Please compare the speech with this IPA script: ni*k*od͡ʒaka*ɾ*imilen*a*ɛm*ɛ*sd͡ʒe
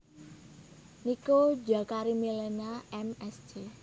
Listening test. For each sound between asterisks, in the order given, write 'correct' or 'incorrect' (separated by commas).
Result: correct, correct, correct, correct